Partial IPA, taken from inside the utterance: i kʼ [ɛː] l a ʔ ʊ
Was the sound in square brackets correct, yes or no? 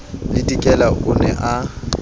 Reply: no